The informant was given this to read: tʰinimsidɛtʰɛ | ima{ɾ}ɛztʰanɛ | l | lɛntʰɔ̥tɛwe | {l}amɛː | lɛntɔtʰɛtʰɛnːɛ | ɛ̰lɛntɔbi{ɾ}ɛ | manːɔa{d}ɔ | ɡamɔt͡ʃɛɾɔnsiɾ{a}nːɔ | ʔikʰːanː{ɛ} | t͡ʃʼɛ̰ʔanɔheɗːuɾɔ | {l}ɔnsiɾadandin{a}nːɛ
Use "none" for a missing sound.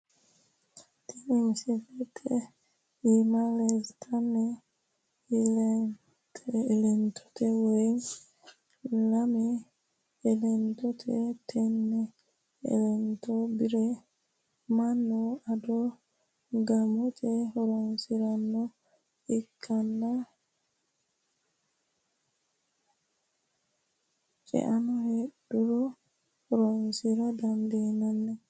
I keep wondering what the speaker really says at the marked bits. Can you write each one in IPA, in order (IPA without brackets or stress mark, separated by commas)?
l, l, ɾ, d, a, a, ɾ, a